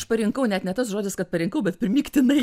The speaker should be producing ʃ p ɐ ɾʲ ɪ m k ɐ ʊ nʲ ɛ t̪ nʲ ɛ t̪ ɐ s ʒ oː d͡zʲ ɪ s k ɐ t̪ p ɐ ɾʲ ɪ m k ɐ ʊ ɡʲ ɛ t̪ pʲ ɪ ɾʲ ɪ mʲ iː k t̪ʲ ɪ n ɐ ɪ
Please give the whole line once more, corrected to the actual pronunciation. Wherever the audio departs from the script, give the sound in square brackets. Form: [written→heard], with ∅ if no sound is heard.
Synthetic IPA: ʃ p ɐ ɾʲ ɪ [m→ŋ] k ɐ ʊ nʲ ɛ t̪ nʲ ɛ t̪ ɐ s ʒ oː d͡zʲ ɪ s k ɐ t̪ p ɐ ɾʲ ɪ [m→ŋ] k ɐ ʊ [ɡʲ→bʲ] ɛ t̪ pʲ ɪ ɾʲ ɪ mʲ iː k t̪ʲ ɪ n ɐ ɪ